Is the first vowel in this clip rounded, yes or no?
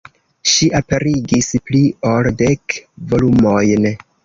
no